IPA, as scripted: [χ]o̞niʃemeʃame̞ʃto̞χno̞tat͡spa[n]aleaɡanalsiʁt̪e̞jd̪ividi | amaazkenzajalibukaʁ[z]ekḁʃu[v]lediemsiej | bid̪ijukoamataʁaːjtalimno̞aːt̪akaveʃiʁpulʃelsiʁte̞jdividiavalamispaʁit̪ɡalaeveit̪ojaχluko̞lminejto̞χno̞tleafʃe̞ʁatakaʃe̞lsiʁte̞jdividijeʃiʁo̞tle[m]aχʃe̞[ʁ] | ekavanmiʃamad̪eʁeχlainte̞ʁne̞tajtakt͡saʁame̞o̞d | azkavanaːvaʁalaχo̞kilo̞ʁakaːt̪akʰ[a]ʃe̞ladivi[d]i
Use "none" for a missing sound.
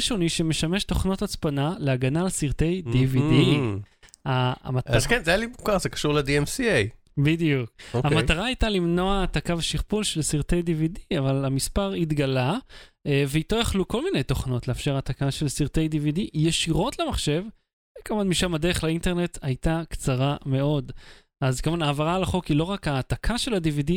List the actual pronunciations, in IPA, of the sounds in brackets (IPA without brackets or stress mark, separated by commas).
ʃ, n, z, ʁ, m, v, a, d